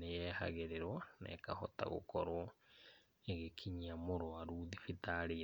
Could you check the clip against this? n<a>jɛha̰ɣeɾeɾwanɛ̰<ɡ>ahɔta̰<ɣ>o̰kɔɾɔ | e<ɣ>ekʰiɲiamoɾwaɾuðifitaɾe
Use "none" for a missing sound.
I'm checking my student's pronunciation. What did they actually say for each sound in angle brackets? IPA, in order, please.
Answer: e, k, ɣ, ɣ

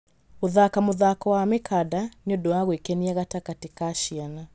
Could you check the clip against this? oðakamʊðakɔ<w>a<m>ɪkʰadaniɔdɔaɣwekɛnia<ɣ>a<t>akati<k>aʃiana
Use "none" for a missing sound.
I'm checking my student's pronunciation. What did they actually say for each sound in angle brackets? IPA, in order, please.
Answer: w, m, ɣ, t, k

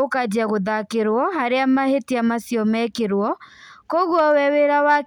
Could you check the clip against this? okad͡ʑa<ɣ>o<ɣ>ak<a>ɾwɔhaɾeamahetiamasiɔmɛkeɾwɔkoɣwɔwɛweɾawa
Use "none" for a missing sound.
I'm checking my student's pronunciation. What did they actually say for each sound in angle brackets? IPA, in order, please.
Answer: ɣ, ð, e

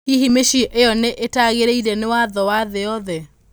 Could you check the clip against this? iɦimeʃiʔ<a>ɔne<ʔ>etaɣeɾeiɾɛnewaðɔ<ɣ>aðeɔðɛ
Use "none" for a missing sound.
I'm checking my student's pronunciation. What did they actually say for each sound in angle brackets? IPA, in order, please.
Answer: e, ʔ, w

